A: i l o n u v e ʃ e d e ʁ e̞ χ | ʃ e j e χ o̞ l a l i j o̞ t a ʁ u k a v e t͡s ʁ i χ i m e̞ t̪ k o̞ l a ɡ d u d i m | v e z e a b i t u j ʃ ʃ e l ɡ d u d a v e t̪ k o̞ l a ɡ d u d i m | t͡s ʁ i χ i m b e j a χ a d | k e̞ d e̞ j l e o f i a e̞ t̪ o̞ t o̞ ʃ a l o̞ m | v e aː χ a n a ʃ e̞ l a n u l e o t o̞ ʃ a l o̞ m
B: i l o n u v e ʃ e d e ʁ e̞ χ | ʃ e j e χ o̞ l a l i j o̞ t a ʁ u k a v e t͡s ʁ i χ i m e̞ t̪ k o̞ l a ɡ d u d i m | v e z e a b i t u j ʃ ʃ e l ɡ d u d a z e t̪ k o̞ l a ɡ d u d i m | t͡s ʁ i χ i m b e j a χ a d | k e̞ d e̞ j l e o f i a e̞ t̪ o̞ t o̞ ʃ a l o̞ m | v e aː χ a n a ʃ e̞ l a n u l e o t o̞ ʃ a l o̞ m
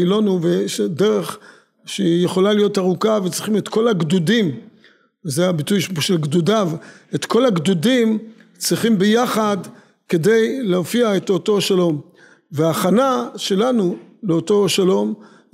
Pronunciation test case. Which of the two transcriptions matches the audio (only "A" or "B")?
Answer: A